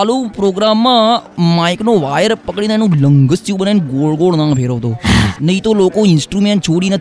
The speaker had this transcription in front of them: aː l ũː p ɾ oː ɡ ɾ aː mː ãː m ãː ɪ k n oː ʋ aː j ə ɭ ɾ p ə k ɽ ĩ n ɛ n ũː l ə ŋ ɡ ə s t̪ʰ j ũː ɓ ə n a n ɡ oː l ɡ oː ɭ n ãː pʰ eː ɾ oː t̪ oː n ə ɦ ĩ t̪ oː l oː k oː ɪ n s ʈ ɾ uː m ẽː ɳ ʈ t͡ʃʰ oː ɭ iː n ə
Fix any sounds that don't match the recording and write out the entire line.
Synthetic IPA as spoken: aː l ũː p ɾ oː ɡ ɾ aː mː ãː m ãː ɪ k n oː ʋ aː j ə ɾ p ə k ɽ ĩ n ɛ n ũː l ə ŋ ɡ ə s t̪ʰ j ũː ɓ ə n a n ɡ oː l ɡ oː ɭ n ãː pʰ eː ɾ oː t̪ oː n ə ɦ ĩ t̪ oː l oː k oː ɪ n s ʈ ɾ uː m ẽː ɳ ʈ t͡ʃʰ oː ɽ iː n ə